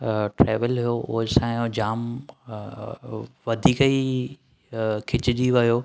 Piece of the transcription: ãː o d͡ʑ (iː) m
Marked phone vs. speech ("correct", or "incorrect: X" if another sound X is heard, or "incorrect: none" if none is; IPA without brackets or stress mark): incorrect: aː